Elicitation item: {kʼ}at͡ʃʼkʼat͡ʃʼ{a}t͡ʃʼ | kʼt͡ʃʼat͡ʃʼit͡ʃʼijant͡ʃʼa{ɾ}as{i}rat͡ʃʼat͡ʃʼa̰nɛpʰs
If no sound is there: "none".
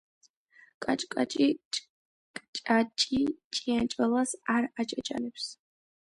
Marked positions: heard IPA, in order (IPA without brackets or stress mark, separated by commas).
kʼ, i, l, a